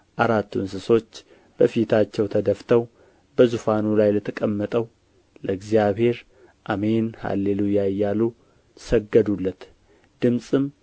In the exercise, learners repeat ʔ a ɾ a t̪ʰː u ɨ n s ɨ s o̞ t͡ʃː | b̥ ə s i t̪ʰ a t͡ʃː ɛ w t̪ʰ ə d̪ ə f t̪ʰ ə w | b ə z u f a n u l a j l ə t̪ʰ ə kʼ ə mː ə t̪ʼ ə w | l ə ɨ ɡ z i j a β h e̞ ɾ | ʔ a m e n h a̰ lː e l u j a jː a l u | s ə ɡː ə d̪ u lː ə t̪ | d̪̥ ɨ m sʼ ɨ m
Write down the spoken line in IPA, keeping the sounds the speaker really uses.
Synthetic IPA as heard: ʔ a ɾ a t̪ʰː u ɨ n s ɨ s o̞ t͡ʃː | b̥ ə f i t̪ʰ a t͡ʃː ɛ w t̪ʰ ə d̪ ə f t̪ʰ ə w | b ə z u f a n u l a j l ə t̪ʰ ə kʼ ə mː ə t̪ʼ ə w | l ə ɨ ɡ z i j a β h e̞ ɾ | ʔ a m e n h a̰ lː e l u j a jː a l u | s ə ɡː ə d̪ u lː ə t̪ | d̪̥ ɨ m sʼ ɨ m